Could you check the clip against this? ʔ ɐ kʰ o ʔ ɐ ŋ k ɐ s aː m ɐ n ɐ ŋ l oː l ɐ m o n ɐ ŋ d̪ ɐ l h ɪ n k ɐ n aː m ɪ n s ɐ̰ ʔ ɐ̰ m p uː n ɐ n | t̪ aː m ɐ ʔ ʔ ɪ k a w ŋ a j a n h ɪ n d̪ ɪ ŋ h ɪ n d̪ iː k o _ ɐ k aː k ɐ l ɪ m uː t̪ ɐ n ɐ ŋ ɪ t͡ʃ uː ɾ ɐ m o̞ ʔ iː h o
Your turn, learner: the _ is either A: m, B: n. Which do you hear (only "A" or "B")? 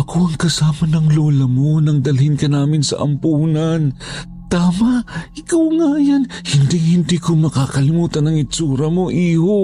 A